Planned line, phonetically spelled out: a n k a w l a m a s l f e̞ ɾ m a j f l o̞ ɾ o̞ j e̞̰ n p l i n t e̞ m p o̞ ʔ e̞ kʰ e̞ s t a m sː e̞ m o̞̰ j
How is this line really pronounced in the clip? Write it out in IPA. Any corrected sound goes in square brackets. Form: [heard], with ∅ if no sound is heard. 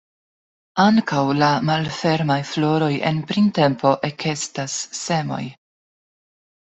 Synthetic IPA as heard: a [ŋ] k a w l a m a [∅] l f e̞ ɾ m a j f l o̞ ɾ o̞ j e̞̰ n p [ɾ] i n t e̞ m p o̞ ʔ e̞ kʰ e̞ s t a [∅] sː e̞ m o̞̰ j